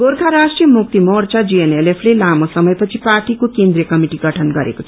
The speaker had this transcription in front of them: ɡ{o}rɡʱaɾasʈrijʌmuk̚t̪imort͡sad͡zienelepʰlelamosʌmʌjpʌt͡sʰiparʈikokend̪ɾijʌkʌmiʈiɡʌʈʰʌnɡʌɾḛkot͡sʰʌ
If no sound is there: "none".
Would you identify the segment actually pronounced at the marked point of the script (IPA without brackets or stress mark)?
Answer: o